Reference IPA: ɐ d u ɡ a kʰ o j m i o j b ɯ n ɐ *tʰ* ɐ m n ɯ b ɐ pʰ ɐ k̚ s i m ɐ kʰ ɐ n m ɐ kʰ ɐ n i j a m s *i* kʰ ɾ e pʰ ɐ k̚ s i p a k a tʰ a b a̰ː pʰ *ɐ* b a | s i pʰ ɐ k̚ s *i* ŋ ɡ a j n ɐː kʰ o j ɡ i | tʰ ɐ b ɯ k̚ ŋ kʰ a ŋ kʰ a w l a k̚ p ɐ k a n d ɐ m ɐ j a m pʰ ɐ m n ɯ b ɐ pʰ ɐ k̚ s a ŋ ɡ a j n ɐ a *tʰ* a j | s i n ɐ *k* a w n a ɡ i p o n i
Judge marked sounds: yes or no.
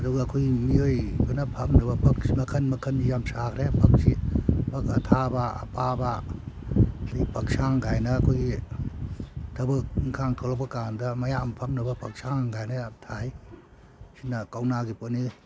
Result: no, no, no, no, yes, yes

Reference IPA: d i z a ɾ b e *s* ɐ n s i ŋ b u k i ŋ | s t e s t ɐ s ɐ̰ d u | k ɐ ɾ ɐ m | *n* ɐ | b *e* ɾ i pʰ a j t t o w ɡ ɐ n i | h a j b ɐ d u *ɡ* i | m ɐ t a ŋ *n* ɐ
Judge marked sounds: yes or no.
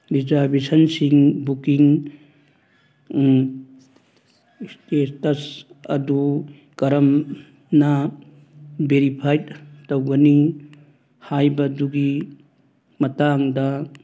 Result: yes, yes, yes, yes, no

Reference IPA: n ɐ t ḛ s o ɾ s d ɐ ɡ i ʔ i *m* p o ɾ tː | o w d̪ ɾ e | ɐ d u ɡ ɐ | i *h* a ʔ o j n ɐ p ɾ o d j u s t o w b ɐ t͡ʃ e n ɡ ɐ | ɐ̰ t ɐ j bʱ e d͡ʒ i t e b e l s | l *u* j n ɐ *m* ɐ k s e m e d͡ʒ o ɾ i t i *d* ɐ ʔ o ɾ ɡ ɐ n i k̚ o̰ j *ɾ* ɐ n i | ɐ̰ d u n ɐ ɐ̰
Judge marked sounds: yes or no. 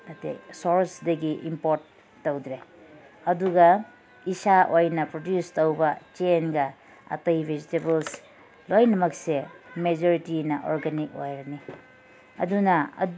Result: yes, no, no, yes, no, yes

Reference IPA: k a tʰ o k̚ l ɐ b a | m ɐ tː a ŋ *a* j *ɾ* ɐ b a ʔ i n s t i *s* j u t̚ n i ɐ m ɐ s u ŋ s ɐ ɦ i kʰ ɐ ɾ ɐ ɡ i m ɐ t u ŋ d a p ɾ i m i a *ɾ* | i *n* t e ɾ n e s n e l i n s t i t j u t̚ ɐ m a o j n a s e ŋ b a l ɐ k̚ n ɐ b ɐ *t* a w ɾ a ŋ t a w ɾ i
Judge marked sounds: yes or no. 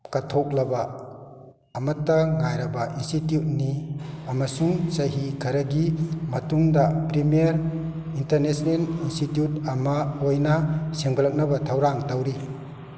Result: yes, yes, no, yes, yes, no

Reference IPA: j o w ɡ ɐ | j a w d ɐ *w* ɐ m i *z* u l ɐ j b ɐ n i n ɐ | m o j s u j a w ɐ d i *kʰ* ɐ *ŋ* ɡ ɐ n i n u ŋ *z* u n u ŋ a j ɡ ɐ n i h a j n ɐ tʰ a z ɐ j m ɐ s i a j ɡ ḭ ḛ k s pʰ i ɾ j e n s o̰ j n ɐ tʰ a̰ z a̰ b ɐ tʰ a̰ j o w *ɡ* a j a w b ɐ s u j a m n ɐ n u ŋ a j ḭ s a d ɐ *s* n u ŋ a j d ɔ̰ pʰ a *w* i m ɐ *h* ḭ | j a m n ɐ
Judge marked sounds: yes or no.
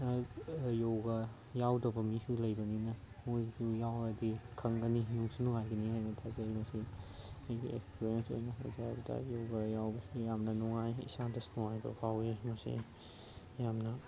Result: no, no, yes, yes, no, yes, yes, yes, no

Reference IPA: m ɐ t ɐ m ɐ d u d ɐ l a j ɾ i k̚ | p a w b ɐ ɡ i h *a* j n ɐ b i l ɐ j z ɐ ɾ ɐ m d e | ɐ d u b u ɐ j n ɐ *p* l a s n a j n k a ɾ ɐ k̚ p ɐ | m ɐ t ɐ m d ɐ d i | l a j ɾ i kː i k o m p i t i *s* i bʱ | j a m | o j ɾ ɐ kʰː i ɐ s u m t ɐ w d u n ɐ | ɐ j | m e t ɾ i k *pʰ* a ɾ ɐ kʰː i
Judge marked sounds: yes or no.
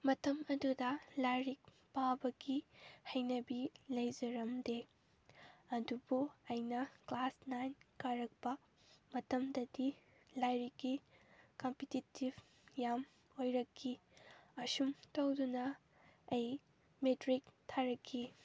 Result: no, no, no, no

